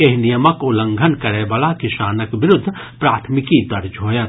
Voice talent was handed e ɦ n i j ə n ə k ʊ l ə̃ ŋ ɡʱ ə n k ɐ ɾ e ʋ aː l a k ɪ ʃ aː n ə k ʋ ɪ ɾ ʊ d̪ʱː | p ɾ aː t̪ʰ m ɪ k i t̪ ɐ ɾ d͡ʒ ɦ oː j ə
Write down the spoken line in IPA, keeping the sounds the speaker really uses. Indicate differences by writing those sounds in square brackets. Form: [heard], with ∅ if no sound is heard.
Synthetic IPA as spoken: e ɦ n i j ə [m] ə k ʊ l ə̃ ŋ ɡʱ ə n k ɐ ɾ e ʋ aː l a k ɪ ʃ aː n ə k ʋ ɪ ɾ ʊ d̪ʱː | p ɾ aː t̪ʰ m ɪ k i [d̪] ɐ ɾ d͡ʒ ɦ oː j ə